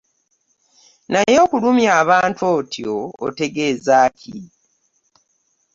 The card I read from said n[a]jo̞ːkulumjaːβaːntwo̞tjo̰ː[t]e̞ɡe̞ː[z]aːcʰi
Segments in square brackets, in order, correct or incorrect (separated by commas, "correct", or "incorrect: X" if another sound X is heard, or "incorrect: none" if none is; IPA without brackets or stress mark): correct, correct, correct